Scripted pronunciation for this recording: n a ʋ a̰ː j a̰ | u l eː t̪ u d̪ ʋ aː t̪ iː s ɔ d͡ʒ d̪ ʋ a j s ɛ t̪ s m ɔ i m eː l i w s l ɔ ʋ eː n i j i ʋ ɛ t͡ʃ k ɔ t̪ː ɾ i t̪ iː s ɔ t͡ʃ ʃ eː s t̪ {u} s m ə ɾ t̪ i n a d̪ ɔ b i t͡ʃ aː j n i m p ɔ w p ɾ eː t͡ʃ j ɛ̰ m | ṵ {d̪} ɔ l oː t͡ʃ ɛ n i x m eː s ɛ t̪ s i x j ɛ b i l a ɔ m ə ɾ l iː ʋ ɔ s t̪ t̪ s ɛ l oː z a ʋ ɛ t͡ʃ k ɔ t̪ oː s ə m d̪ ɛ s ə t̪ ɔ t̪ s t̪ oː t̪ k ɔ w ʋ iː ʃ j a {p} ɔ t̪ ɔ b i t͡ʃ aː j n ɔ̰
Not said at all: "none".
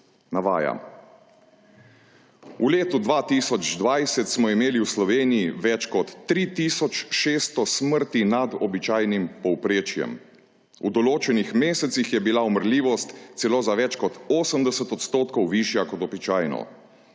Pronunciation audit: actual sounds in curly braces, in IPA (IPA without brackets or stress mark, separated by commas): ɔ, d̪, k